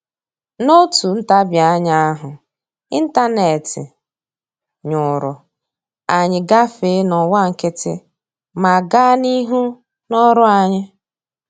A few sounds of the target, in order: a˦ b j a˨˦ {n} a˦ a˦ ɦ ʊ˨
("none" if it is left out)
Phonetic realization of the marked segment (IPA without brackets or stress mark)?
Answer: ɲ